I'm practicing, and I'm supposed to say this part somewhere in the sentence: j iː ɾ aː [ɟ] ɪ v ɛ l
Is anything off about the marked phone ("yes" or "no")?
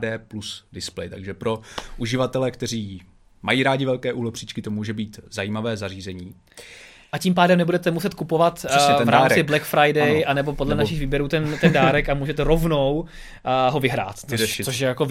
no